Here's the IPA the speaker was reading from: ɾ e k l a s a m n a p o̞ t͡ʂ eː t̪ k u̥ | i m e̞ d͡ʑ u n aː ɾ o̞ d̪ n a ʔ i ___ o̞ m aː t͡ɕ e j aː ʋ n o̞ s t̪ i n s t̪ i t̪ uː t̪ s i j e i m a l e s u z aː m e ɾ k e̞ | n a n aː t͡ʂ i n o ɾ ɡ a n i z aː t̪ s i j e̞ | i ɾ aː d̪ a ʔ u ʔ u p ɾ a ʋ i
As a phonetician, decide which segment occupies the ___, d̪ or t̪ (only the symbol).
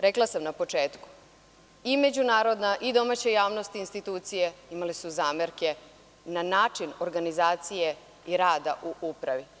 d̪